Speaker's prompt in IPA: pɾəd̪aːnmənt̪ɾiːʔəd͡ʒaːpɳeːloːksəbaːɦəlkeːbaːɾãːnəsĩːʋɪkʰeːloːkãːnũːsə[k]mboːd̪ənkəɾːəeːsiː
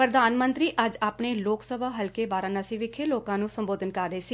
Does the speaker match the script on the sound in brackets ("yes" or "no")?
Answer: no